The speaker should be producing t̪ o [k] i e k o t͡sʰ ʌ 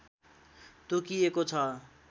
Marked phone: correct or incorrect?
correct